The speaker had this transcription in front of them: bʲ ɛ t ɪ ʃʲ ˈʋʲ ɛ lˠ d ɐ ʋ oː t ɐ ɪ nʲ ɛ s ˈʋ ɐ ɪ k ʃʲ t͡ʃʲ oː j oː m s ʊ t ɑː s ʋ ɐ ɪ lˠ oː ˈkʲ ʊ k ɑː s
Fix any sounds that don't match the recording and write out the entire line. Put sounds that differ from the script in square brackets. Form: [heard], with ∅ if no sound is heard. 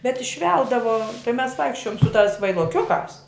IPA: bʲ ɛ t ɪ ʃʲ ˈʋʲ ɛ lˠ d ɐ ʋ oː t ɐ ɪ [mʲ] ɛ s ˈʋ ɐ ɪ k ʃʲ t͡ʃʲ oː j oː m s ʊ t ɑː s ʋ ɐ ɪ lˠ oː ˈkʲ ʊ k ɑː s